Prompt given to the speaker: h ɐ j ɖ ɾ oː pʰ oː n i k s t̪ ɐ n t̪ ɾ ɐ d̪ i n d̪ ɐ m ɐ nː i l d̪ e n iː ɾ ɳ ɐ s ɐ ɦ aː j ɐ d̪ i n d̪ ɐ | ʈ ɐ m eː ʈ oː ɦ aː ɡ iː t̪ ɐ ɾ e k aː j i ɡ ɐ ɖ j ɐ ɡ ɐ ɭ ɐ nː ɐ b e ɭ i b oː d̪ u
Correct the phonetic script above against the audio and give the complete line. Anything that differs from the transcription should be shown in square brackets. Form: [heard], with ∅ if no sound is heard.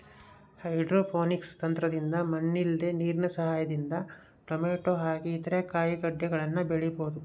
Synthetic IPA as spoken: h ɐ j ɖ ɾ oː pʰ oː n i k s t̪ ɐ n t̪ ɾ ɐ d̪ i n d̪ ɐ m ɐ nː i l d̪ e n iː ɾ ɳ ɐ s ɐ ɦ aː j ɐ d̪ i n d̪ ɐ | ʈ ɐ m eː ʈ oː ɦ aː ɡ iː t̪ ɐ ɾ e k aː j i ɡ ɐ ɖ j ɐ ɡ ɐ ɭ ɐ nː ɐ b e ɭ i b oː d̪ u